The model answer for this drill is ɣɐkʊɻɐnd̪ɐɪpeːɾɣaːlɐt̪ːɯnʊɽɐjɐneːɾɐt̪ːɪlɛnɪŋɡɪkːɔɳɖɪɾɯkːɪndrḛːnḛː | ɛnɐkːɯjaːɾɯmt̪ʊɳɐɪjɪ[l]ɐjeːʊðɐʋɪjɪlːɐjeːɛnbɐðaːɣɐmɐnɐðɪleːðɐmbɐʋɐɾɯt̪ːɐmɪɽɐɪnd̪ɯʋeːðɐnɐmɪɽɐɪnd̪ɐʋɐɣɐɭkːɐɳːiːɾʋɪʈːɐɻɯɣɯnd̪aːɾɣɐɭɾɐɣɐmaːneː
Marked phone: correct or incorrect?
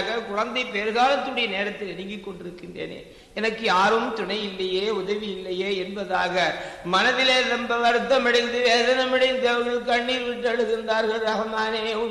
incorrect